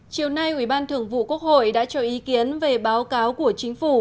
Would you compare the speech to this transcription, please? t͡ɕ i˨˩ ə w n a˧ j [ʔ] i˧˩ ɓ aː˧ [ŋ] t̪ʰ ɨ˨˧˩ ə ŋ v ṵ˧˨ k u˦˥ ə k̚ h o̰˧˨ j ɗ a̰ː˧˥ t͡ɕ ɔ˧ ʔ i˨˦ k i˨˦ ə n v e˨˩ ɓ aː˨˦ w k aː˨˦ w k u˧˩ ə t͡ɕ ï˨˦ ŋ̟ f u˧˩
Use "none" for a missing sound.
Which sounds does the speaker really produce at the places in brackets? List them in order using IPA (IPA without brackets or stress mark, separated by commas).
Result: ʔ, n